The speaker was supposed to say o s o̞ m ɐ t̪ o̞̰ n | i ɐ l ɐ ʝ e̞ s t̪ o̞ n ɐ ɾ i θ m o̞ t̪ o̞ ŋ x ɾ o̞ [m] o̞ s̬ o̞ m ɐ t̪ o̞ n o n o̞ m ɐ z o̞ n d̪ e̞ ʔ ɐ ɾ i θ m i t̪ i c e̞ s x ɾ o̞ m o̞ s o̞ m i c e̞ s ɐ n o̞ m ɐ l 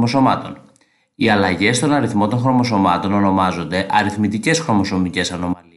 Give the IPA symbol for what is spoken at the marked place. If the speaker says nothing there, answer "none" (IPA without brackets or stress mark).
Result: m